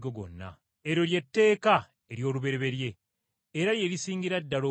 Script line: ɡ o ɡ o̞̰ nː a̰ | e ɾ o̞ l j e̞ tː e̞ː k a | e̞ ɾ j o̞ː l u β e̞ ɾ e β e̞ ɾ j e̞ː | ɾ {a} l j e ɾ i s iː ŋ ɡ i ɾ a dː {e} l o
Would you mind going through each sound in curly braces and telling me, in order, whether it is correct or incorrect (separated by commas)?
correct, incorrect